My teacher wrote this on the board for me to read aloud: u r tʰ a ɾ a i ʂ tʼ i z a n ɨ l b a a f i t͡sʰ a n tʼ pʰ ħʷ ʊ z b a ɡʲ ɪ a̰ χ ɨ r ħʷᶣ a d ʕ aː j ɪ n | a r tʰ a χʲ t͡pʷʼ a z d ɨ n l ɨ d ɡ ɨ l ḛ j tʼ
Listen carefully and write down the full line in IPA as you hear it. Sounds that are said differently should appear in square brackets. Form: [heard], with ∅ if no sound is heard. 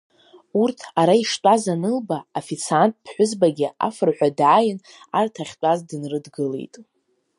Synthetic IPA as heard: u r tʰ a ɾ a i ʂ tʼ [a] z a n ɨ l b a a f i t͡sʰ a n tʼ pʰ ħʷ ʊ z b a ɡʲ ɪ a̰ [f] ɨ r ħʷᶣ a d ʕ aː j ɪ n | a r tʰ a χʲ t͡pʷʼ a z d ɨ n [r] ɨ d ɡ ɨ l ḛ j tʼ

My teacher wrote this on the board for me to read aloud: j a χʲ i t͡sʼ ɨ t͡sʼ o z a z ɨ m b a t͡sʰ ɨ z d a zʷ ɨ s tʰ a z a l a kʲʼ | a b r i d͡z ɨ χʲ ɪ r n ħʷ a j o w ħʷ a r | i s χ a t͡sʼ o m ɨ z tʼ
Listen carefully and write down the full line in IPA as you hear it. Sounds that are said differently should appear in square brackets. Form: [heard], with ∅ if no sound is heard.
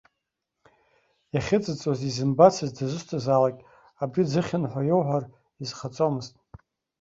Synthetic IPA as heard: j a χʲ [ɪ] t͡sʼ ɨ t͡sʼ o z [i] z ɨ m b a t͡sʰ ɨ z d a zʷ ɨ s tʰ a z a l a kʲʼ | a b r i d͡z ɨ χʲ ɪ [∅] n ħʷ a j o w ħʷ a r | i [z] χ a t͡sʼ o m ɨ z tʼ

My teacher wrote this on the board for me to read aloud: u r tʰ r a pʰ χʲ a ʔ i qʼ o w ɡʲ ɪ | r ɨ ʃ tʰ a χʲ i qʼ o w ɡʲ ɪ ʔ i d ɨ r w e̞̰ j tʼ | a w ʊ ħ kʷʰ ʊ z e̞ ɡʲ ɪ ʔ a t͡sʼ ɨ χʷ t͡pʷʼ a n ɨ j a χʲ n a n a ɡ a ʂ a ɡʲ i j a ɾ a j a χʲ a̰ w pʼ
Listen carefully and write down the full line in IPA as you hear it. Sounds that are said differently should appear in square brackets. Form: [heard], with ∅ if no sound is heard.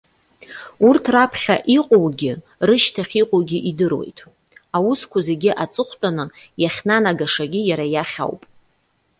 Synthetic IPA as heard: u r tʰ r a pʰ χʲ a ʔ i qʼ o w ɡʲ ɪ | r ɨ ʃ tʰ a χʲ i qʼ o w ɡʲ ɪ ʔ i d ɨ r w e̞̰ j tʼ | a w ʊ [s] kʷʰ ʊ z e̞ ɡʲ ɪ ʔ a t͡sʼ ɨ χʷ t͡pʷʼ a n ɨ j a χʲ n a n a ɡ a ʂ a ɡʲ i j a ɾ a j a χʲ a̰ w pʼ

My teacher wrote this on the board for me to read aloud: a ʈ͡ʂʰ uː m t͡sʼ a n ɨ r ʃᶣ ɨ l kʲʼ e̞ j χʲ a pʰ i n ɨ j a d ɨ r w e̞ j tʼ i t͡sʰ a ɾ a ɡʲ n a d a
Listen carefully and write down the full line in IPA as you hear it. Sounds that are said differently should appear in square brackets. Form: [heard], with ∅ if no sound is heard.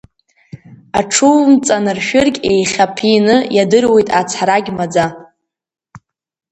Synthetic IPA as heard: a ʈ͡ʂʰ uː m t͡sʼ a n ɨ r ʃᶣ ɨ [r] kʲʼ e̞ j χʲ a pʰ i n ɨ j a d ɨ r w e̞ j tʼ [a] t͡sʰ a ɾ a ɡʲ [m] a [d͡z] a

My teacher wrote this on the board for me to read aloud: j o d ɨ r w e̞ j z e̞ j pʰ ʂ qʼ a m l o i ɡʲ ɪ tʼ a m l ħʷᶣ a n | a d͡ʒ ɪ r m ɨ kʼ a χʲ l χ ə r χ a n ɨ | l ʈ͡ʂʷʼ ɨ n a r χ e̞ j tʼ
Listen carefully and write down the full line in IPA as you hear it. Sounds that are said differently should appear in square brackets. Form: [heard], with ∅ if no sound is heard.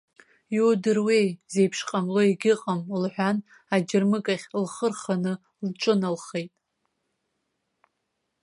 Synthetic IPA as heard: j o d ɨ r w e̞ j z e̞ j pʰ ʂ qʼ a m l o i ɡʲ ɪ [qʼ] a m l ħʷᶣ a n | a d͡ʒ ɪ r m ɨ kʼ a χʲ l χ ə r χ a n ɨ | l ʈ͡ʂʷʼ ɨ n a [l] χ e̞ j tʼ

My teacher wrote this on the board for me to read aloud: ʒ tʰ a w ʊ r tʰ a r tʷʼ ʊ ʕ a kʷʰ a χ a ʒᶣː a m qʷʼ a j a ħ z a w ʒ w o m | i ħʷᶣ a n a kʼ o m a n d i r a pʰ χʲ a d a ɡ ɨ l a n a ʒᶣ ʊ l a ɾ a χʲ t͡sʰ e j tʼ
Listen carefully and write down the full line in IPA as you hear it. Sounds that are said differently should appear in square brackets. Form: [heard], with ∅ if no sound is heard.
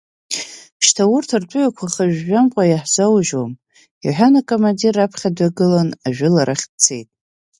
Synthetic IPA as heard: [ʃ] tʰ a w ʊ r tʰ a r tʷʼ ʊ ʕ a kʷʰ a χ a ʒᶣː a m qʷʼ a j a ħ z a w ʒ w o m | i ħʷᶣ a n a kʼ o m a n d i r a pʰ χʲ a d a ɡ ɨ l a n a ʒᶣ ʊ l a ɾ a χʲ t͡sʰ e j tʼ

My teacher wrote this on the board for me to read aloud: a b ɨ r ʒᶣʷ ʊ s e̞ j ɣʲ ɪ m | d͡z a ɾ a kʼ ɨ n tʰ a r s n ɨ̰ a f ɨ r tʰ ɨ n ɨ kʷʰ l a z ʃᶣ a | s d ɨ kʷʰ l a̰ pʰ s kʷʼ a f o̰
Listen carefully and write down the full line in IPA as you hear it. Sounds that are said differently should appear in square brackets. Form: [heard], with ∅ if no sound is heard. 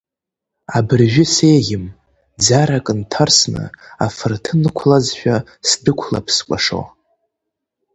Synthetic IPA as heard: a b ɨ r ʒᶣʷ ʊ s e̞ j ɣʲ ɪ m | d͡z a ɾ a kʼ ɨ n tʰ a r s n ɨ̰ a f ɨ r tʰ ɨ n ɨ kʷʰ l a z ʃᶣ a | s d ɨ kʷʰ l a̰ pʰ s kʷʼ a [ʂ] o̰

